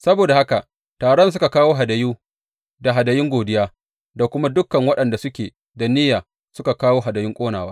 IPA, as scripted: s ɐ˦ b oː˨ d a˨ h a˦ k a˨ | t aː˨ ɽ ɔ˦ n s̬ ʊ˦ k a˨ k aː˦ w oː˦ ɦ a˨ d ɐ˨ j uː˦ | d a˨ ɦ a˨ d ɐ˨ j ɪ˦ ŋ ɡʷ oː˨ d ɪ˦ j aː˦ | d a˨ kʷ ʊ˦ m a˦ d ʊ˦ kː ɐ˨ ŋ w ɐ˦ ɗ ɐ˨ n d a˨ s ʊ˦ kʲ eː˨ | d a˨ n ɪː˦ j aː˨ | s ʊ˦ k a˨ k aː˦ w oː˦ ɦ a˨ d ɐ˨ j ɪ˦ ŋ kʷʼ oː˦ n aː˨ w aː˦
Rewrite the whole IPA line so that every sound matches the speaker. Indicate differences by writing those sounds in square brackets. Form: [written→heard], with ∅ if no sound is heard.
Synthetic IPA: s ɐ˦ b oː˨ d a˨ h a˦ k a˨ | t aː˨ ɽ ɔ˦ n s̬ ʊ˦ k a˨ k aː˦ w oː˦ ɦ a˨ d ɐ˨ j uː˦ | d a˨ ɦ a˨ d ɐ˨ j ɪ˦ ŋ ɡʷ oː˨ d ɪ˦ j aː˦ | d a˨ kʷ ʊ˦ m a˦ d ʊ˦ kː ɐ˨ ŋ w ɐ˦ ɗ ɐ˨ n d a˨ s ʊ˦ kʲ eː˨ | d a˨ n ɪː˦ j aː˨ | s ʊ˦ k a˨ k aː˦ w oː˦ ɦ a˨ d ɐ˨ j ɪ˦ ŋ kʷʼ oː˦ n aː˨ w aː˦